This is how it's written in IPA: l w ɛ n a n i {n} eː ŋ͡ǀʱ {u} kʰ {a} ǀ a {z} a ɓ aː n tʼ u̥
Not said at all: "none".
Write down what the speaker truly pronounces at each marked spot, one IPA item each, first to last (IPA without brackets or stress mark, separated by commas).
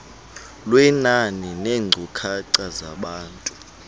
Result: n, u, a, z